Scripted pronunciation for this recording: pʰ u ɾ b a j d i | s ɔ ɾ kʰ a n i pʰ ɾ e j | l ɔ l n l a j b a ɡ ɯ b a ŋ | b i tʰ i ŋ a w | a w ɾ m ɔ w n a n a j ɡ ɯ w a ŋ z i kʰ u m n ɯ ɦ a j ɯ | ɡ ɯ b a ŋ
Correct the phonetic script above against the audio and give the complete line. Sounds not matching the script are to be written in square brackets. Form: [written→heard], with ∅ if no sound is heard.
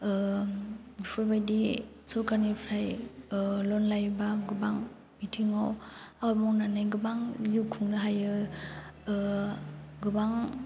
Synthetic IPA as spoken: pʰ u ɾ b a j d i | s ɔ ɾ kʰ a n i pʰ ɾ [e→a] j | l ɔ [l→∅] n l a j b a ɡ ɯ b a ŋ | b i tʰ i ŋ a w | a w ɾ m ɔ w n a n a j ɡ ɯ [w→b] a ŋ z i kʰ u [m→ŋ] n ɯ ɦ a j ɯ | ɡ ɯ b a ŋ